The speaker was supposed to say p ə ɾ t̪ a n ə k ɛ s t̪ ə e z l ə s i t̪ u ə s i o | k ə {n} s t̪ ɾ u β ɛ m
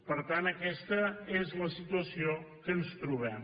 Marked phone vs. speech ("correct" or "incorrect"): correct